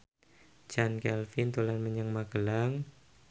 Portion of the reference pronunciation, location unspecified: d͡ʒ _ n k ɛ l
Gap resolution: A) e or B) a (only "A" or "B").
B